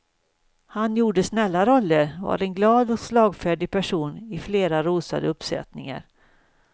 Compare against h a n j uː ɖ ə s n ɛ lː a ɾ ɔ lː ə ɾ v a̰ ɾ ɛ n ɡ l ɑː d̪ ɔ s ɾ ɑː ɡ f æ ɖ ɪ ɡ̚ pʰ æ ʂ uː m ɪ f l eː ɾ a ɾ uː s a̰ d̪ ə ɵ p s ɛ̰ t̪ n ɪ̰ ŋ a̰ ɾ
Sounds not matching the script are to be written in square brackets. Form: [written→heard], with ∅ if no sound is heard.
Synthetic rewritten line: h a n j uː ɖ ə s n ɛ lː a ɾ ɔ lː ə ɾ v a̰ ɾ ɛ n ɡ l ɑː d̪ ɔ s [ɾ→l] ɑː ɡ f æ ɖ ɪ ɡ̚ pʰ æ ʂ uː [m→n] ɪ f l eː ɾ a ɾ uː s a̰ d̪ ə ɵ p s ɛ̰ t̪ n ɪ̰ ŋ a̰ ɾ

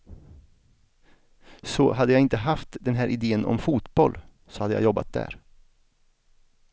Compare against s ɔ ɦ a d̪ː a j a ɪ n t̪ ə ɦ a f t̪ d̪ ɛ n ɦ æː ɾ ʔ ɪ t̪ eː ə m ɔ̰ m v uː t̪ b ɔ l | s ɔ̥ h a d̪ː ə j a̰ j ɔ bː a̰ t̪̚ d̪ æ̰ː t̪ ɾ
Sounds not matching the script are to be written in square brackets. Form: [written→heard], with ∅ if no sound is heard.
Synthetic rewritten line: s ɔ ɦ a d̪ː [a→ə] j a ɪ n t̪ ə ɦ a f t̪ d̪ ɛ n ɦ æː ɾ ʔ ɪ [t̪→d̪] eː ə [m→n] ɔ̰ m [v→f] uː t̪ b ɔ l | s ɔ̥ h a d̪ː ə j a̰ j ɔ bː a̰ t̪̚ d̪ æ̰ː [t̪→∅] ɾ

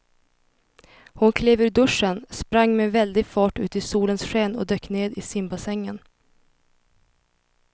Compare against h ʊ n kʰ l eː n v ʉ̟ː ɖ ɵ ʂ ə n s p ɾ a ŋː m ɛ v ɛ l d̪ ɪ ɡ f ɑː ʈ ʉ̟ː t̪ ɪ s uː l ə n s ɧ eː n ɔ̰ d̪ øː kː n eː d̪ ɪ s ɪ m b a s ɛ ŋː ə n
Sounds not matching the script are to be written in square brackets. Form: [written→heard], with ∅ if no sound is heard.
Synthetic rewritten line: h ʊ n kʰ l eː [n→∅] v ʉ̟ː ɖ ɵ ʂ ə n s p ɾ a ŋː m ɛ v ɛ l d̪ ɪ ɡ f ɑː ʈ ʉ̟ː t̪ ɪ s uː l ə n s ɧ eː n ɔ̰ d̪ øː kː n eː d̪ ɪ s ɪ m b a s ɛ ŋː ə n

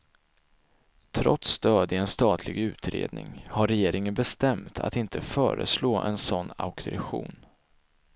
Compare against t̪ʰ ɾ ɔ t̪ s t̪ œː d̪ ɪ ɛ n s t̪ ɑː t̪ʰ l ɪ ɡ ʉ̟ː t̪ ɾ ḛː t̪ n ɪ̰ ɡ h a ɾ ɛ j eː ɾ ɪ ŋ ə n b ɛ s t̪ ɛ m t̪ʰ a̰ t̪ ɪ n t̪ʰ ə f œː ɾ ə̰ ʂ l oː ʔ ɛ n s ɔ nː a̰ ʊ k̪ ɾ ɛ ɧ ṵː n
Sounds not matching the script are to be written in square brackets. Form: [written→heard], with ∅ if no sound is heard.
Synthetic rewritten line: t̪ʰ ɾ ɔ t̪ s t̪ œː d̪ ɪ ɛ n s t̪ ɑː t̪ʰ l ɪ ɡ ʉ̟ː t̪ ɾ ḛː [t̪→d̪] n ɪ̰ [ɡ→ŋ] h a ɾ ɛ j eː ɾ ɪ ŋ ə n b ɛ s t̪ ɛ m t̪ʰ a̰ t̪ ɪ n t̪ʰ ə f œː ɾ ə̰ [ʂ→s] l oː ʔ ɛ n s ɔ nː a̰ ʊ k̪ ɾ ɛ ɧ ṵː n

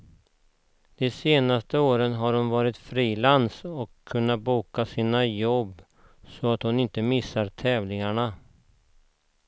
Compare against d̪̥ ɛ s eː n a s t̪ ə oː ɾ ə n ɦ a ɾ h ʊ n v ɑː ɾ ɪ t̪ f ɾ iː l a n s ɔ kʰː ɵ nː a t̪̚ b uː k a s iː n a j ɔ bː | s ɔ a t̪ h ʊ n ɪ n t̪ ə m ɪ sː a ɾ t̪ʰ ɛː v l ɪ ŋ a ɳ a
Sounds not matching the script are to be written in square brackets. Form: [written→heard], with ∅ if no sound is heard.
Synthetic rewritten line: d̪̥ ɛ s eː n a s t̪ ə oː ɾ ə n ɦ a ɾ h ʊ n v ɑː ɾ ɪ t̪ f ɾ iː l a n s ɔ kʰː ɵ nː a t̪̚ b uː k a s iː n a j ɔ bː | s ɔ a t̪ h ʊ n ɪ n t̪ ə m ɪ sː a ɾ t̪ʰ ɛː v l ɪ ŋ a ɳ a

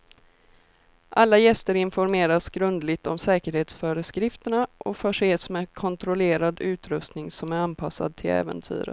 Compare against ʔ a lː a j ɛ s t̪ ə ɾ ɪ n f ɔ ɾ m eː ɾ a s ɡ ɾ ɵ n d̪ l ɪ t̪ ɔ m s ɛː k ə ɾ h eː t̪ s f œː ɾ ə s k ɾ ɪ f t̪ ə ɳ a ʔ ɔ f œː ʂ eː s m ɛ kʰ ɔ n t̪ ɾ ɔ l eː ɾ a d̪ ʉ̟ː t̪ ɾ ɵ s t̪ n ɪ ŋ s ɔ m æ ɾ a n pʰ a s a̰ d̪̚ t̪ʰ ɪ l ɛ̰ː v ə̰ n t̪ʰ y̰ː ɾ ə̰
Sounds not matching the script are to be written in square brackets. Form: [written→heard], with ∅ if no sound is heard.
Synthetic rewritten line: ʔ a lː a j ɛ s t̪ ə ɾ ɪ n f ɔ ɾ m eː ɾ a s ɡ ɾ ɵ n d̪ l ɪ t̪ ɔ m s ɛː k ə ɾ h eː t̪ s f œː ɾ ə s k ɾ ɪ f t̪ ə ɳ a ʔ ɔ f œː ʂ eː s m ɛ kʰ ɔ n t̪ ɾ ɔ l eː ɾ a d̪ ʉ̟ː t̪ ɾ ɵ s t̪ n ɪ ŋ s ɔ m æ ɾ a n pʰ a s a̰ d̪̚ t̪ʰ ɪ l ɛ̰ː v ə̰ n t̪ʰ y̰ː ɾ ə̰

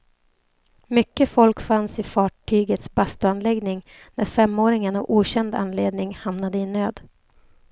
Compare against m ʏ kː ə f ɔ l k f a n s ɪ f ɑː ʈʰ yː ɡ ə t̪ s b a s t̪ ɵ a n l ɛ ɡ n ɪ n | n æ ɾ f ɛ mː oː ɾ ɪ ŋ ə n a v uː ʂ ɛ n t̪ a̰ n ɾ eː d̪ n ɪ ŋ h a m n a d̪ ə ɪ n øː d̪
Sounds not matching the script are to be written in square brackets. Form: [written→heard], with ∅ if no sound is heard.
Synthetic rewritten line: m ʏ kː ə f ɔ l k f a n s ɪ f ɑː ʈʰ yː ɡ ə t̪ s b a s t̪ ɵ a n l ɛ ɡ n ɪ [n→ŋ] | n æ ɾ f ɛ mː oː ɾ ɪ ŋ ə n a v uː [ʂ→ɕ] ɛ n [t̪→d̪] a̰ n [ɾ→l] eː d̪ n ɪ ŋ h a m n a d̪ ə ɪ n øː d̪

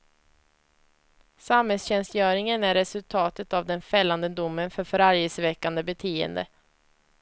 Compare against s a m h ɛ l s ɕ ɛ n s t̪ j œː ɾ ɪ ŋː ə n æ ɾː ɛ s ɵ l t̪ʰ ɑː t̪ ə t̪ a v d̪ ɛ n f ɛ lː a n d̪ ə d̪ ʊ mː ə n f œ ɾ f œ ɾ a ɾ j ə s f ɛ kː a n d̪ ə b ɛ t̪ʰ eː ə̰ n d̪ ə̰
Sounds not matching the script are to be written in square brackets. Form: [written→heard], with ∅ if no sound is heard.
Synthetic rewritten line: s a m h ɛ l s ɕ ɛ n s t̪ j œː ɾ ɪ [ŋː→ŋ] ə n æ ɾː ɛ s ɵ l t̪ʰ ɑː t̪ ə t̪ a v d̪ ɛ n f ɛ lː a n d̪ ə d̪ ʊ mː ə n f œ ɾ f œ ɾ a ɾ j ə s [f→v] ɛ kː a n d̪ ə b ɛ t̪ʰ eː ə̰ n d̪ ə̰

